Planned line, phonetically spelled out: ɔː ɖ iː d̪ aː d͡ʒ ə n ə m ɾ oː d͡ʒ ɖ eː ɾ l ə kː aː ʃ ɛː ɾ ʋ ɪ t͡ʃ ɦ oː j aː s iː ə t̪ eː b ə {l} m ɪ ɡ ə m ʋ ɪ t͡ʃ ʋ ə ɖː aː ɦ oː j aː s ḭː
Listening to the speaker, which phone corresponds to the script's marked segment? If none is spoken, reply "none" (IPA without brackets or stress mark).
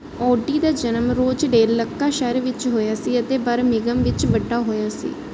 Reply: ɾ